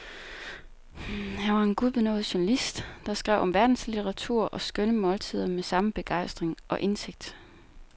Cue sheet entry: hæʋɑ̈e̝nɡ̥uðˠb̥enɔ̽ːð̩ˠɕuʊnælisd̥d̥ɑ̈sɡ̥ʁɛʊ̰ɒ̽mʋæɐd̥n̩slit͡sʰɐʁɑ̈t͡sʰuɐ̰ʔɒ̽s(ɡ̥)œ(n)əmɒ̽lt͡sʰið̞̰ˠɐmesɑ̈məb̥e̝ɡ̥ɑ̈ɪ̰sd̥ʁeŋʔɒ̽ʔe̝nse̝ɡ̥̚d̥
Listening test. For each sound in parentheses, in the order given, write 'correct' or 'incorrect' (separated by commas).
correct, correct